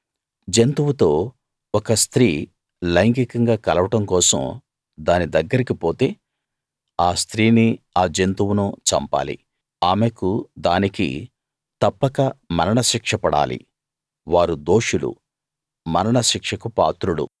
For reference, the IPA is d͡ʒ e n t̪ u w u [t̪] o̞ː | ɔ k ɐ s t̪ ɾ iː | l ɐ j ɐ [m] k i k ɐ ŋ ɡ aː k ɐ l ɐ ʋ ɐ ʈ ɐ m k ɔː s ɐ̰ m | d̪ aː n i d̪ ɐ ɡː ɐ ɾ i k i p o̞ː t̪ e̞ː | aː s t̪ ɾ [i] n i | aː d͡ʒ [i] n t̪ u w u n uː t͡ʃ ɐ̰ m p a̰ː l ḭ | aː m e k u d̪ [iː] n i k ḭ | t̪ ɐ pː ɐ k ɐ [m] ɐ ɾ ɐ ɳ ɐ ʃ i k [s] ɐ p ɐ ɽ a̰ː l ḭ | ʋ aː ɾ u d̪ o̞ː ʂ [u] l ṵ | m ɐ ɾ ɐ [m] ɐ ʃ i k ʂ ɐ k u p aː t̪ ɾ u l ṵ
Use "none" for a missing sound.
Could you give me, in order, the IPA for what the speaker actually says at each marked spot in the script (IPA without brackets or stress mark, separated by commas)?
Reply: t̪, ŋ, iː, e, aː, m, ʂ, u, ɳ